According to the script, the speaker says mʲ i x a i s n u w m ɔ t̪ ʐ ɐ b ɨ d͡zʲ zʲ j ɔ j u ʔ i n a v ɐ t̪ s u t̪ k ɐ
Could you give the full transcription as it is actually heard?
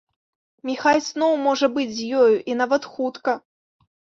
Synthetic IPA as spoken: mʲ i x a j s n ɔ w m ɔ ʐ ɐ b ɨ d͡zʲ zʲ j ɔ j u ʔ i n a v ɐ t̪ x u t̪ k ɐ